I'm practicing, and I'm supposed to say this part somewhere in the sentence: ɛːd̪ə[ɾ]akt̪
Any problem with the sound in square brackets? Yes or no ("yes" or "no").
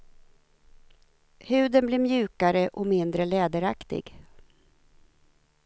no